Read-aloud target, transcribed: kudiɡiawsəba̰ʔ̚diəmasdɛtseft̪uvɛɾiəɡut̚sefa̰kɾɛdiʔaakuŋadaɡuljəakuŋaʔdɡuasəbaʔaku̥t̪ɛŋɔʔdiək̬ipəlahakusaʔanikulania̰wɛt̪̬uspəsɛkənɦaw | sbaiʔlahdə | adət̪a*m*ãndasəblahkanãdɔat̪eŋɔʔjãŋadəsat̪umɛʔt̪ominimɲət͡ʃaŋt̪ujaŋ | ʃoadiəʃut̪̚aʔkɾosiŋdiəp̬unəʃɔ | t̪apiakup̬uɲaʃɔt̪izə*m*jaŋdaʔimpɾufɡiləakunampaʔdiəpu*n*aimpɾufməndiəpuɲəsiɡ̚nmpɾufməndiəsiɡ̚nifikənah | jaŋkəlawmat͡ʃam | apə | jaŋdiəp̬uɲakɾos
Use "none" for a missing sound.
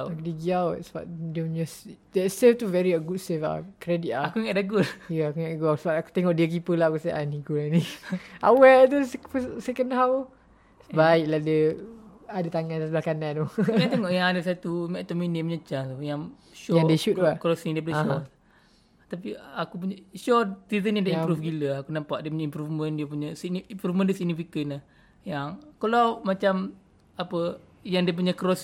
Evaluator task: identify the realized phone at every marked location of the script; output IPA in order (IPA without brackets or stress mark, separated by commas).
ŋ, n, ɲ